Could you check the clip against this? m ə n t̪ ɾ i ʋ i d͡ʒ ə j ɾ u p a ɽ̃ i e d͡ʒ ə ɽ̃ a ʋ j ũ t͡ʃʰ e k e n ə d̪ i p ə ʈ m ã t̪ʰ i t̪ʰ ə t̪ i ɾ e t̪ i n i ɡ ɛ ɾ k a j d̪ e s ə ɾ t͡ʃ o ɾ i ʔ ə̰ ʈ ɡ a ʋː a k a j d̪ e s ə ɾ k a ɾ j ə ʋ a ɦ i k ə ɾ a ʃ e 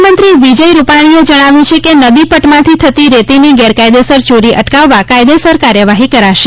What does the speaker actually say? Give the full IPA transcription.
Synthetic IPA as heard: m ə n t̪ ɾ i ʋ i d͡ʒ ə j ɾ u p a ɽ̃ i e d͡ʒ ə ɽ̃ a ʋ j ũ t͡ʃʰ e k e n ə d̪ i p ə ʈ m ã t̪ʰ i t̪ʰ ə t̪ i ɾ e t̪ i n i ɡ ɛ ɾ k a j d̪ e s ə ɾ t͡ʃ o ɾ i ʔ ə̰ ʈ k a ʋː a k a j d̪ e s ə ɾ k a ɾ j ə ʋ a ɦ i k ə ɾ a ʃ e